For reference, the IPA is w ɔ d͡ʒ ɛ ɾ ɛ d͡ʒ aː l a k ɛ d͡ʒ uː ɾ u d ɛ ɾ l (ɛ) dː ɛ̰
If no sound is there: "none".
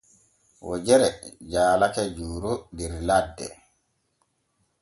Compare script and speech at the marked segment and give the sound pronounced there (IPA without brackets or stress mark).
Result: a